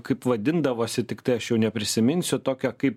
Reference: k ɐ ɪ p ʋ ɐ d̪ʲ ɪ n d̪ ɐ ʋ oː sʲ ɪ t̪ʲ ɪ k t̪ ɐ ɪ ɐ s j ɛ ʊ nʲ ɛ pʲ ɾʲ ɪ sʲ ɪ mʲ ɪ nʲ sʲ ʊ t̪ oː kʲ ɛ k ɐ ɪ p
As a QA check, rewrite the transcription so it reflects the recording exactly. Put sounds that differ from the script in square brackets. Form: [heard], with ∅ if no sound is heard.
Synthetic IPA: k ɐ ɪ p ʋ ɐ d̪ʲ ɪ n d̪ ɐ ʋ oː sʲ ɪ t̪ʲ ɪ k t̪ ɐ ɪ ɐ [ʃ] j ɛ ʊ nʲ ɛ pʲ ɾʲ ɪ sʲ ɪ mʲ ɪ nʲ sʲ ʊ t̪ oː kʲ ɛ k ɐ ɪ p

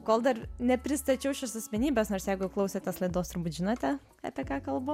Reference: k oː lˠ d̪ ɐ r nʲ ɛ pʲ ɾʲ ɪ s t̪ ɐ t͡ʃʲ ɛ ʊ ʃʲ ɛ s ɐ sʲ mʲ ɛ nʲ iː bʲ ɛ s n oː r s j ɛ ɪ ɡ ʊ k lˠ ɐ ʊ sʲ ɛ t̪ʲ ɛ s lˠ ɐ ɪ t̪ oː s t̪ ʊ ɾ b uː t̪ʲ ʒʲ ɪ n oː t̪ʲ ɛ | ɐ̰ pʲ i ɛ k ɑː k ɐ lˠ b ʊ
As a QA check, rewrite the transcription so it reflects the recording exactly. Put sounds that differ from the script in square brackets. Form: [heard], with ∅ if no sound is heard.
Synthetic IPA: k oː lˠ d̪ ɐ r nʲ ɛ pʲ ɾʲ ɪ s t̪ ɐ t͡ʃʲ ɛ ʊ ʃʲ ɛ s ɐ sʲ mʲ ɛ nʲ iː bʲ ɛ s n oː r s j ɛ ɪ ɡ ʊ k lˠ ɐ ʊ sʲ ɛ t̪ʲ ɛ s lˠ ɐ ɪ [d̪] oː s t̪ ʊ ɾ b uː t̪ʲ ʒʲ ɪ n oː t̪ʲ ɛ | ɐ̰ pʲ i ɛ k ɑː k ɐ lˠ b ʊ

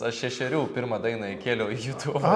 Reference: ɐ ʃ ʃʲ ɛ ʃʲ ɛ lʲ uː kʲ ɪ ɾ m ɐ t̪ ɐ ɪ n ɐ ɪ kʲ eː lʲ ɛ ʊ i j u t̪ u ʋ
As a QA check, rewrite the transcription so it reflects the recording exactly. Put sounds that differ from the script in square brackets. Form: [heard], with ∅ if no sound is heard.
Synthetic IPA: ɐ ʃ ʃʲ ɛ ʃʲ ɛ [ɾʲ] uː [pʲ] ɪ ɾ m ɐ [d̪] ɐ ɪ n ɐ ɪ kʲ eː lʲ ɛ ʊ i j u t̪ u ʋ

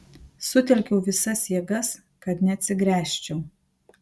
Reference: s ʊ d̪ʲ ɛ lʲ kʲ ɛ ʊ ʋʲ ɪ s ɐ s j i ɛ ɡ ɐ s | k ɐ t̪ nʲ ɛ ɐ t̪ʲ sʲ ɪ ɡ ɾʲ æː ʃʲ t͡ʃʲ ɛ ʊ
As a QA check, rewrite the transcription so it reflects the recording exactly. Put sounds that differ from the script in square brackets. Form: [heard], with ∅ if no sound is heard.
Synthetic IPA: s ʊ [t̪ʲ] ɛ lʲ kʲ ɛ ʊ ʋʲ ɪ s ɐ s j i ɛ ɡ ɐ s | k ɐ t̪ nʲ ɛ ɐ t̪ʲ sʲ ɪ ɡ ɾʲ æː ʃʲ t͡ʃʲ ɛ ʊ

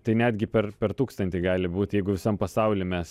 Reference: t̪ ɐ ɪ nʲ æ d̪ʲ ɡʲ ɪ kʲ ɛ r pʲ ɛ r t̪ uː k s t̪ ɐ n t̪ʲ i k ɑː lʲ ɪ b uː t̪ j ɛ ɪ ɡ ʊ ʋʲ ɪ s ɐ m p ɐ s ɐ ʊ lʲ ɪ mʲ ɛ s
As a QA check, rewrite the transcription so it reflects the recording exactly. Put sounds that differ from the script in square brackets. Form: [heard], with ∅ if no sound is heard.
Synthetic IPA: t̪ ɐ ɪ nʲ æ d̪ʲ ɡʲ ɪ [pʲ] ɛ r pʲ ɛ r t̪ uː k s t̪ ɐ n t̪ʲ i [ɡ] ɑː lʲ ɪ b uː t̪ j ɛ ɪ ɡ ʊ ʋʲ ɪ s ɐ m p ɐ s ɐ ʊ lʲ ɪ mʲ ɛ s

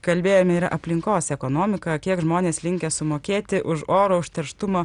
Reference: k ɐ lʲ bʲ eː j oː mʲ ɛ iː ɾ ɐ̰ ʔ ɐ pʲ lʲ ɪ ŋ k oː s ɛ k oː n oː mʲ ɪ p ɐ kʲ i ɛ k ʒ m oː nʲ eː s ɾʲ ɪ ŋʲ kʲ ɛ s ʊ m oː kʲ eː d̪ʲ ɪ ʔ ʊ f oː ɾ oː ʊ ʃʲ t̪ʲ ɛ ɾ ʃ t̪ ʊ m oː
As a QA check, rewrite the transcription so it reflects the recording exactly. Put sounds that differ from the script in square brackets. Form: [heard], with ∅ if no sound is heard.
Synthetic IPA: k ɐ lʲ bʲ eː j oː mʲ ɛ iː ɾ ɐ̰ ʔ ɐ pʲ lʲ ɪ ŋ k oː s ɛ k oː n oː mʲ ɪ [k] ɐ kʲ i ɛ k ʒ m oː nʲ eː s [lʲ] ɪ ŋʲ kʲ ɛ s ʊ m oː kʲ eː [t̪ʲ] ɪ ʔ ʊ [ʃ] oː ɾ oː ʊ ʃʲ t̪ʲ ɛ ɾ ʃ t̪ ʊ m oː

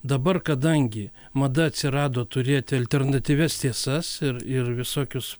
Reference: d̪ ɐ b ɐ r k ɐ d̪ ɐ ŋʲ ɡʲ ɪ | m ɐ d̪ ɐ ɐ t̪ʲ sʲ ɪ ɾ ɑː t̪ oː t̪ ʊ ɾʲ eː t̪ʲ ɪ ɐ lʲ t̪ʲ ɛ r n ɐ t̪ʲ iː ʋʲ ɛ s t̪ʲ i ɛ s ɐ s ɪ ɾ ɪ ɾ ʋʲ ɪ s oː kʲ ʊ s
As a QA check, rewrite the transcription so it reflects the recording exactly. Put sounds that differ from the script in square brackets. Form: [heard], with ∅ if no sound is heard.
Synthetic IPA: d̪ ɐ b ɐ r k ɐ d̪ ɐ ŋʲ ɡʲ ɪ | m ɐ d̪ ɐ ɐ t̪ʲ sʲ ɪ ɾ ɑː [d̪] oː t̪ ʊ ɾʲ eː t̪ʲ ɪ ɐ lʲ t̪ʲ ɛ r n ɐ t̪ʲ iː ʋʲ ɛ s t̪ʲ i ɛ s ɐ s ɪ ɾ ɪ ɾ ʋʲ ɪ s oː kʲ ʊ s

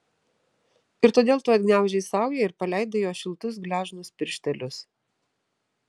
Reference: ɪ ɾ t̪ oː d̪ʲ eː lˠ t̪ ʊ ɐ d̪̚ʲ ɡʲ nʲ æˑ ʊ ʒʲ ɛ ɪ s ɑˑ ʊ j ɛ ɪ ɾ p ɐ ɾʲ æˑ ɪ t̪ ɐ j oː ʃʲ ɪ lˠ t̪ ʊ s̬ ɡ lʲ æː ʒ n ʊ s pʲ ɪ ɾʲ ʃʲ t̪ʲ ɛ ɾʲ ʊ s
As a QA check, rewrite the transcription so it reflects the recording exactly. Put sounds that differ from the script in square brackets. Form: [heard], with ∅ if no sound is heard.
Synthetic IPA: ɪ ɾ t̪ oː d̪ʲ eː lˠ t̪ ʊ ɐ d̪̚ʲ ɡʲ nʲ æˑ ʊ ʒʲ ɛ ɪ s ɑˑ ʊ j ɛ ɪ ɾ p ɐ [lʲ] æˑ ɪ [d̪] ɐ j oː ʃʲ ɪ lˠ t̪ ʊ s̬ ɡ lʲ æː ʒ n ʊ s pʲ ɪ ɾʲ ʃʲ t̪ʲ ɛ [lʲ] ʊ s

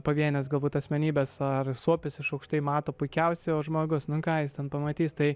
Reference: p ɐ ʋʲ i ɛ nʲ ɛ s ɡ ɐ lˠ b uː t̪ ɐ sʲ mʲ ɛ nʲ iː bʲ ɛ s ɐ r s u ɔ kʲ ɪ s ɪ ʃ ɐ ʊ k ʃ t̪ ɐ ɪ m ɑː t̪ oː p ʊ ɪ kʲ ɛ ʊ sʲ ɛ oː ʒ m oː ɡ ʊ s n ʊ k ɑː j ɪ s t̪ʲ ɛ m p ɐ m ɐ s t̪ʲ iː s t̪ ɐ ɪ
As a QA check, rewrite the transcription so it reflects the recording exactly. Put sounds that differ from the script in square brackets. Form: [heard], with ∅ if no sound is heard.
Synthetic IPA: p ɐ ʋʲ i ɛ nʲ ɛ s ɡ ɐ lˠ b uː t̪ ɐ sʲ mʲ ɛ nʲ iː bʲ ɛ s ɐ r s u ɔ [pʲ] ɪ s ɪ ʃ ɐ ʊ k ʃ t̪ ɐ ɪ m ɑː t̪ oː p ʊ ɪ kʲ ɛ ʊ sʲ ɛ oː ʒ m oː ɡ ʊ s n ʊ k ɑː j ɪ s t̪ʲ ɛ [n] p ɐ m ɐ [∅] t̪ʲ iː s t̪ ɐ ɪ

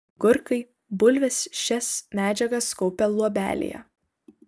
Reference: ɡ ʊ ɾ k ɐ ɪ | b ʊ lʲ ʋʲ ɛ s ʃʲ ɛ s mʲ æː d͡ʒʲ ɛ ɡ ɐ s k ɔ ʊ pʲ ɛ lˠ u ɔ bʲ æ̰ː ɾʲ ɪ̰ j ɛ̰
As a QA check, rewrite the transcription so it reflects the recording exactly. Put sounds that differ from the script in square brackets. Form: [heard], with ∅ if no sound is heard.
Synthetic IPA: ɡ ʊ ɾ k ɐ ɪ | b ʊ lʲ ʋʲ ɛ s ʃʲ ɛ s mʲ æː d͡ʒʲ ɛ ɡ ɐ s k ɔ ʊ pʲ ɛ lˠ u ɔ bʲ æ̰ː [lʲ] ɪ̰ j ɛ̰

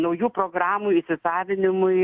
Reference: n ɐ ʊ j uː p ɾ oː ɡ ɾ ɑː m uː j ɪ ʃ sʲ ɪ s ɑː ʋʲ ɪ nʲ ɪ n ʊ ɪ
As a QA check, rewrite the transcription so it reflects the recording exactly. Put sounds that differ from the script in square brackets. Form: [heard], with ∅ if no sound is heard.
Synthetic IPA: n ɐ ʊ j uː p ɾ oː ɡ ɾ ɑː m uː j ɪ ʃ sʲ ɪ s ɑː ʋʲ ɪ nʲ ɪ [m] ʊ ɪ

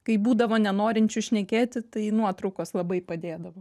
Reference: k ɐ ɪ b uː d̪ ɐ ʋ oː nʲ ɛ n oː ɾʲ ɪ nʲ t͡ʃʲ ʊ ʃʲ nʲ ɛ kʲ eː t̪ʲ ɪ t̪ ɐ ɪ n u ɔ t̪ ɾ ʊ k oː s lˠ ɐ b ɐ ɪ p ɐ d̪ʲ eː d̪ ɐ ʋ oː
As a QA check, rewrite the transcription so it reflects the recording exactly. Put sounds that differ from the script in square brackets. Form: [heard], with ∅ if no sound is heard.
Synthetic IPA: k ɐ ɪ b uː d̪ ɐ ʋ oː nʲ ɛ n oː ɾʲ ɪ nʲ t͡ʃʲ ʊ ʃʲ nʲ ɛ kʲ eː t̪ʲ ɪ t̪ ɐ ɪ n u ɔ t̪ ɾ ʊ k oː s lˠ ɐ b ɐ ɪ p ɐ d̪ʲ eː d̪ ɐ ʋ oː

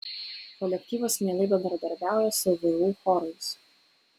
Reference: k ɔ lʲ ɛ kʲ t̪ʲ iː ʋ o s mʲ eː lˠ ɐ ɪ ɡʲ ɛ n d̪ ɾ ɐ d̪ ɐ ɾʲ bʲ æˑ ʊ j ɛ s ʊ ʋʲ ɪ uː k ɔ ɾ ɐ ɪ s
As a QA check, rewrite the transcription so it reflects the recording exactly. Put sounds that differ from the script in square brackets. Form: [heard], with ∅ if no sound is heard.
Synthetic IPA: k ɔ lʲ ɛ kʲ t̪ʲ iː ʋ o s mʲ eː lˠ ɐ ɪ [bʲ] ɛ n d̪ ɾ ɐ d̪ ɐ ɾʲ bʲ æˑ ʊ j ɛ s ʊ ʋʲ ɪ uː [x] ɔ ɾ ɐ ɪ s

